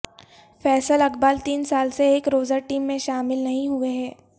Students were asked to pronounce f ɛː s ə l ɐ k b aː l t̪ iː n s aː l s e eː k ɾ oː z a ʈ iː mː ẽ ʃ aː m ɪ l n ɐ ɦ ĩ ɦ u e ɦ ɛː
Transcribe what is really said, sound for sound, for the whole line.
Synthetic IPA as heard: f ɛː s ə l ɐ k b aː l t̪ iː n s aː l s e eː k ɾ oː z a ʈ iː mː ẽ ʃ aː m ɪ l n ɐ ɦ ĩ ɦ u e ɦ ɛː